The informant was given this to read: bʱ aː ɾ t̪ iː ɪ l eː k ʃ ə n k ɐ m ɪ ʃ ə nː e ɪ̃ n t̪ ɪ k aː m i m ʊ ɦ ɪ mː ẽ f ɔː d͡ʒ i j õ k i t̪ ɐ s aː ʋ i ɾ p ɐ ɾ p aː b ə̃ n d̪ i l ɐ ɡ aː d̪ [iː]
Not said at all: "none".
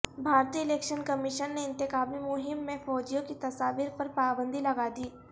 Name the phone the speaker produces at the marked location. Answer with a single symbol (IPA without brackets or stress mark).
iː